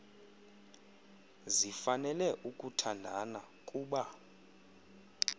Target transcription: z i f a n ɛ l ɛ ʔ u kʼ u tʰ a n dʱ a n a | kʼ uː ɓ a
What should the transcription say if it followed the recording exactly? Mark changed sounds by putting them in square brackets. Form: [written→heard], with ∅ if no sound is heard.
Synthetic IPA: z i f a n ɛ l ɛ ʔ u kʼ u tʰ a n dʱ a n a | kʼ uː ɓ a